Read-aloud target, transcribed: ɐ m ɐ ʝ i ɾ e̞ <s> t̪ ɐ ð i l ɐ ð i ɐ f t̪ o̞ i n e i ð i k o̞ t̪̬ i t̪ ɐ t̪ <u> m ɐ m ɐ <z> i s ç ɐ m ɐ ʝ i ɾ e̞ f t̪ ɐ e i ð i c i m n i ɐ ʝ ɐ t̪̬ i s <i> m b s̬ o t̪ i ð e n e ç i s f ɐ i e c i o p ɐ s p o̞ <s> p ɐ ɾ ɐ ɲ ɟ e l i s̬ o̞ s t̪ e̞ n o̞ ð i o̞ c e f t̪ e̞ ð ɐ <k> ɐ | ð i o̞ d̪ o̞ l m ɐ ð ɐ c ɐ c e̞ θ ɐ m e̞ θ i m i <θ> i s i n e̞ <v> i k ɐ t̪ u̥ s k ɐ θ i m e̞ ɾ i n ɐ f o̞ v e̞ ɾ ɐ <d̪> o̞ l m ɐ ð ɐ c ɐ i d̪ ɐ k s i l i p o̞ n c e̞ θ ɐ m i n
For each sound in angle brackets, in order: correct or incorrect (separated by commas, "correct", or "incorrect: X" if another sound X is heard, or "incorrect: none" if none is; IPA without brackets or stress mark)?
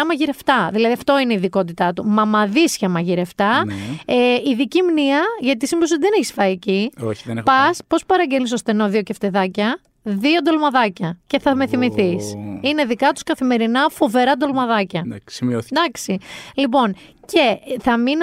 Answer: incorrect: f, correct, incorrect: ð, correct, correct, incorrect: c, correct, incorrect: ð, correct